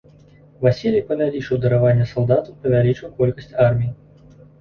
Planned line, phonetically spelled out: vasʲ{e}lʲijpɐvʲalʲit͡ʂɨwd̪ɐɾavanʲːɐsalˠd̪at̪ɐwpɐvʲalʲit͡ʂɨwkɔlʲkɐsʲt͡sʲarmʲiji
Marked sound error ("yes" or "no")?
yes